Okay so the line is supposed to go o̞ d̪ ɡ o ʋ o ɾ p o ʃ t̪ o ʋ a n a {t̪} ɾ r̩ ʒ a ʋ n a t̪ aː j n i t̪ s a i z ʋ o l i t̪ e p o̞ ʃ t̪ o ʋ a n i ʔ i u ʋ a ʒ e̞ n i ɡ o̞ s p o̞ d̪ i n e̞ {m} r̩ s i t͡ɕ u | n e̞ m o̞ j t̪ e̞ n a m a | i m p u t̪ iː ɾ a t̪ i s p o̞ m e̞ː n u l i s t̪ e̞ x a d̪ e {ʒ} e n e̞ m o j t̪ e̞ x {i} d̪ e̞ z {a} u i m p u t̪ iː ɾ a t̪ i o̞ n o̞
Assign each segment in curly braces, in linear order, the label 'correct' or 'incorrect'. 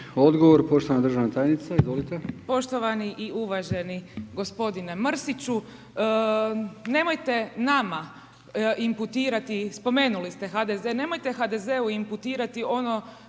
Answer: incorrect: d̪, correct, incorrect: z, incorrect: a, incorrect: e

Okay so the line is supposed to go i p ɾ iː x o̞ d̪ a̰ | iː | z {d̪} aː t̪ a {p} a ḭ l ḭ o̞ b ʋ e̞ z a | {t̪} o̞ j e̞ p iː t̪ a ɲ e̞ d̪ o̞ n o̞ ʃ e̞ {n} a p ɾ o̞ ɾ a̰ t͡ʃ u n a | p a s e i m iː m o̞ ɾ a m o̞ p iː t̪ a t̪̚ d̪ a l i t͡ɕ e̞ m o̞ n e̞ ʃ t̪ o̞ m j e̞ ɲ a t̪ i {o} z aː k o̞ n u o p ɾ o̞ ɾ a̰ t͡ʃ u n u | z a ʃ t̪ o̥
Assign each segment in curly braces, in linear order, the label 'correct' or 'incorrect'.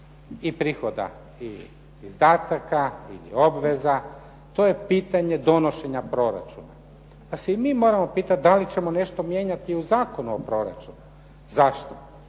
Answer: correct, incorrect: k, correct, incorrect: ɲ, incorrect: u

